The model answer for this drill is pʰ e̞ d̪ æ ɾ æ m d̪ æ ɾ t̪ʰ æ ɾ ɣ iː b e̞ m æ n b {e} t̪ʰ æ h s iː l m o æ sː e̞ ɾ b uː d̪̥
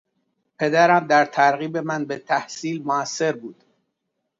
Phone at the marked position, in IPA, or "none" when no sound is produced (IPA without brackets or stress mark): e